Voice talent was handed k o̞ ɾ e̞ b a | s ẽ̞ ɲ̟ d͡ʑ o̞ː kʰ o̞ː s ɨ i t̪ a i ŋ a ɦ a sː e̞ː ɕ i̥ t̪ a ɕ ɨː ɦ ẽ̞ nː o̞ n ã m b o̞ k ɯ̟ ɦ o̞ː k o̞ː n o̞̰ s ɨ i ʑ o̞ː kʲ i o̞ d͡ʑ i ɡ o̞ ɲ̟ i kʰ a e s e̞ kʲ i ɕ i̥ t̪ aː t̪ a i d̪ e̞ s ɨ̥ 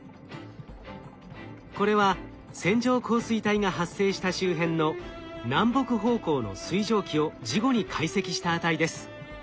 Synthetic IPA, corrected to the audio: k o̞ ɾ e̞ β a | s ẽ̞ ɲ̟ d͡ʑ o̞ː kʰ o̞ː s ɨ i t̪ a i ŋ a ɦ a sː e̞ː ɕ i̥ t̪ a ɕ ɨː ɦ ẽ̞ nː o̞ n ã m b o̞ k ɯ̟ ɦ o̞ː k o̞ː n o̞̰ s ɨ i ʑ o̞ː kʲ i o̞ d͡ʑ i ɡ o̞ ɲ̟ i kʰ a i s e̞ kʲ i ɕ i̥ t̪ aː t̪ a i d̪ e̞ s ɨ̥